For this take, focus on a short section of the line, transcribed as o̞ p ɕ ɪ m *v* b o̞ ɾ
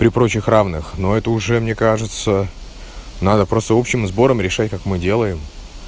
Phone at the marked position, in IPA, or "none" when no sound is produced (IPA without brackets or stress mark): z